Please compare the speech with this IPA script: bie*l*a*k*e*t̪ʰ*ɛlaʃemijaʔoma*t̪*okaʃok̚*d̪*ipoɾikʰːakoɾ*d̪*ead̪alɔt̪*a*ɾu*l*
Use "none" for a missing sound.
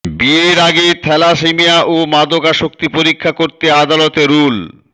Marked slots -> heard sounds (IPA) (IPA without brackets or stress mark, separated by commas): ɾ, ɡ, t̪ʰ, d̪, t̪, t̪, e, l